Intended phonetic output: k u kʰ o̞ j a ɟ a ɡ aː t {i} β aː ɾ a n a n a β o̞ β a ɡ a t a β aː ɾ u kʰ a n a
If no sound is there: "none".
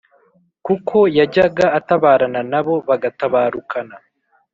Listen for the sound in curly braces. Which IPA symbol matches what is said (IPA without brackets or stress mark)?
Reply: a